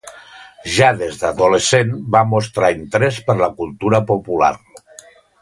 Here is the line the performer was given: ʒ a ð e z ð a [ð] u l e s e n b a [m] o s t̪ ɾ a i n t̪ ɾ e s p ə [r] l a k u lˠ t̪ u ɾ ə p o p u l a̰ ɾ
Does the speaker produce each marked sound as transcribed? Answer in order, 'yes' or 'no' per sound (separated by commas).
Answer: yes, yes, no